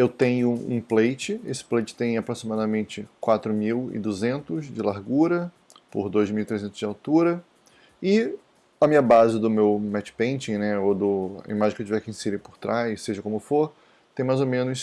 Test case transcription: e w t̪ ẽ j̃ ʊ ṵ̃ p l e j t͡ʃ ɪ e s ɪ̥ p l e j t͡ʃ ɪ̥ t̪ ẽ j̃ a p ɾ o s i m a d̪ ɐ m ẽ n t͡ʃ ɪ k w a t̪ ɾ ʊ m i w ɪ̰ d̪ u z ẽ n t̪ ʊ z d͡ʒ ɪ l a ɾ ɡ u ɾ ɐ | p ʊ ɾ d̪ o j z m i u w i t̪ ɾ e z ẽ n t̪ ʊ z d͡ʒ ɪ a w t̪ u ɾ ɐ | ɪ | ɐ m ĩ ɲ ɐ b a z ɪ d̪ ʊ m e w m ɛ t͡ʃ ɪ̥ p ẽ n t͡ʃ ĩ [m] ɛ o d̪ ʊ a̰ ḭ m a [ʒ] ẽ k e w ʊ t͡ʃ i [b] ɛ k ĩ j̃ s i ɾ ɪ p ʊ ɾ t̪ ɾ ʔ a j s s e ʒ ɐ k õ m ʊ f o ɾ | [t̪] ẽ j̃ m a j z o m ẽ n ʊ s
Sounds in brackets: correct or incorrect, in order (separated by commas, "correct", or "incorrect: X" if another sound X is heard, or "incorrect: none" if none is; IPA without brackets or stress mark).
incorrect: n, correct, incorrect: v, correct